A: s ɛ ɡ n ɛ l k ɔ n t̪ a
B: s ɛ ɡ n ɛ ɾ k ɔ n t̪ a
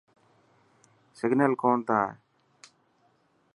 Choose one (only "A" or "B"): A